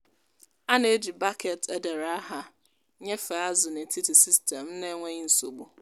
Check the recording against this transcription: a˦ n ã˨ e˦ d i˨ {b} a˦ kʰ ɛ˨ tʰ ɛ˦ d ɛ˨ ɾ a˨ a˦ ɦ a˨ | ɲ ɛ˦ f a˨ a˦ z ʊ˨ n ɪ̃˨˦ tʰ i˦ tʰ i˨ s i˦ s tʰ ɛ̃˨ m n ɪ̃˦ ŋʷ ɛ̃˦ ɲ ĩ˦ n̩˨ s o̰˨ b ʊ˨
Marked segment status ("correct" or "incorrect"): correct